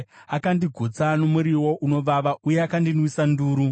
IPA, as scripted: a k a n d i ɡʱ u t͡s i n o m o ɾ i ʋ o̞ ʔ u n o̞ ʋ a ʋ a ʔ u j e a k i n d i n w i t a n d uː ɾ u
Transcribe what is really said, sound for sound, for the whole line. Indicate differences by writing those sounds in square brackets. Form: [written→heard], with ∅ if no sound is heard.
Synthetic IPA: a k a n d i ɡʱ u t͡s [i→a] n o m [o→u] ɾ i [ʋ→w] o̞ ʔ u n o̞ ʋ a ʋ a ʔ u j e a k [i→a] n d i n w i [t→s] a n d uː ɾ u